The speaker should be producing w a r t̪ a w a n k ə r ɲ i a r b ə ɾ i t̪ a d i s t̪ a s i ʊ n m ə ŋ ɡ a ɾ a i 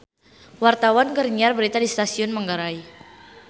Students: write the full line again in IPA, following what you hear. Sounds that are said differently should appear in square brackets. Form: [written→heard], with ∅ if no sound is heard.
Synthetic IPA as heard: w a r t̪ a w a n k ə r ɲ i a r b ə ɾ i t̪ a d i s t̪ a s i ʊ n m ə ŋ ɡ a ɾ a i